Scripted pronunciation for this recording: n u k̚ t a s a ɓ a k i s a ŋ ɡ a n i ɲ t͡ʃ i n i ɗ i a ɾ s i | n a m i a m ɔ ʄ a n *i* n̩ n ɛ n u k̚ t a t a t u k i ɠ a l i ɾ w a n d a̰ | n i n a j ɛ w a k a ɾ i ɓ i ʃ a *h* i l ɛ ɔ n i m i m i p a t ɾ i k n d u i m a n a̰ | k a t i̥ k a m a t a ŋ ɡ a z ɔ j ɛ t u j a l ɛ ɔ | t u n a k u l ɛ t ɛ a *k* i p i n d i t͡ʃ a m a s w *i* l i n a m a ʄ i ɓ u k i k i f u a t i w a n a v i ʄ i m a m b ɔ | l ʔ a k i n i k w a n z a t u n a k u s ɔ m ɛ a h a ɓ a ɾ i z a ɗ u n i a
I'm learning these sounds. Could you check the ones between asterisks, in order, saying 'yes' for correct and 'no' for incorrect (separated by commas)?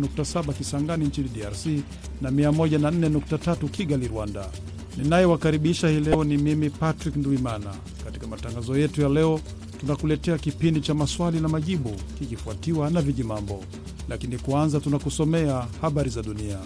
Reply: no, yes, yes, no